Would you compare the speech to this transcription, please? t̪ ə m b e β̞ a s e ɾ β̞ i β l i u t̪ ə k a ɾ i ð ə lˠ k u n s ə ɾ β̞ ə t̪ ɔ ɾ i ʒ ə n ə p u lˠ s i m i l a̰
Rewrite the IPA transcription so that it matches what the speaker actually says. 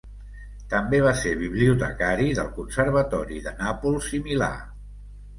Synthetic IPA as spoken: t̪ ə m b e β̞ a s e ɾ β̞ i β l i u t̪ ə k a ɾ i ð ə lˠ k u n s ə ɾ β̞ ə t̪ ɔ ɾ i ð ə n a p u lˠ s i m i l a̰